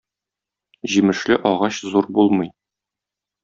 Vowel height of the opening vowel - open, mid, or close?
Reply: close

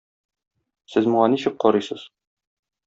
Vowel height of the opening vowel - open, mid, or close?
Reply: mid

